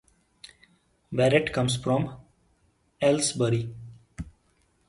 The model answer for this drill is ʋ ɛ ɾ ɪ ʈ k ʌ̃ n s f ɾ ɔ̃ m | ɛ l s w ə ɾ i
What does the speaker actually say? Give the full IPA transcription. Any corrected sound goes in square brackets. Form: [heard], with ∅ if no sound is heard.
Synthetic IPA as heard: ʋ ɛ ɾ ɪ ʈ k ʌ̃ [m] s f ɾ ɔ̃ m | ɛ l s [b] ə ɾ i